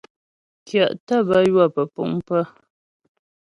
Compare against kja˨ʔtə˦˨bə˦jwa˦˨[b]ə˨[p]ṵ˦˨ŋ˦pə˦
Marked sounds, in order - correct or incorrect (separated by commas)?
incorrect, correct